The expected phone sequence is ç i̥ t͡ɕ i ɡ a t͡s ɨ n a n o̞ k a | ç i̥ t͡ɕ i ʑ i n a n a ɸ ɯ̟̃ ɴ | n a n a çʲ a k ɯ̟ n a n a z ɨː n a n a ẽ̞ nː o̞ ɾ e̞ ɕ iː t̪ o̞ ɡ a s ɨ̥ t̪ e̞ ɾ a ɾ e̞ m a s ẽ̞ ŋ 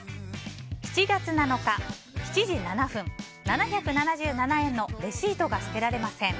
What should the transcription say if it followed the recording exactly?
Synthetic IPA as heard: ç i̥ t͡ɕ i ɡ a t͡s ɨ n a n o̞ k a | ç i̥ t͡ɕ i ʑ i n a n a ɸ ɯ̟̃ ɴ | n a n a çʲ a k ɯ̟ n a n a ʑ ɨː n a n a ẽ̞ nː o̞ ɾ e̞ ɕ iː t̪ o̞ ɡ a s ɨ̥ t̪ e̞ ɾ a ɾ e̞ m a s ẽ̞ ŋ